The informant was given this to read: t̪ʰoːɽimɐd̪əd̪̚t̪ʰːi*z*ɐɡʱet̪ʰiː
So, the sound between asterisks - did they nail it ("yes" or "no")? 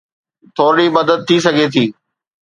no